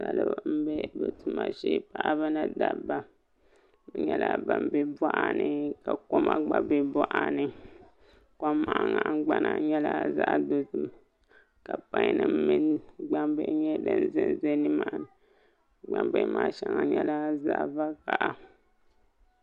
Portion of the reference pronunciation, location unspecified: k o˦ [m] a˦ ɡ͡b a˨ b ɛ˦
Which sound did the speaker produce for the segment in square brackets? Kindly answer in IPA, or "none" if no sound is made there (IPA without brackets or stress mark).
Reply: m